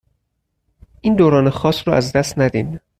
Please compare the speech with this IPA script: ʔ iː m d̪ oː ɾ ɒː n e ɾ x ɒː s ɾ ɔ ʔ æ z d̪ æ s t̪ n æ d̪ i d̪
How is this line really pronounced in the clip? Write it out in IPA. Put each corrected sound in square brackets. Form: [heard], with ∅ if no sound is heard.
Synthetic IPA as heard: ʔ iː [n] d̪ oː ɾ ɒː n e [∅] x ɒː s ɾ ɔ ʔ æ z d̪ æ s t̪ n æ d̪ i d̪